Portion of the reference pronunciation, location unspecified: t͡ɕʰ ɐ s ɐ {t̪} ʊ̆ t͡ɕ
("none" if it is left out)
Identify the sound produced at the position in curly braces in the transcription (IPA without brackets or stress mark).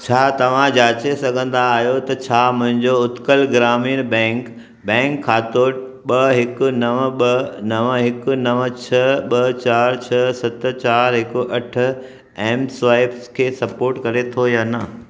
t̪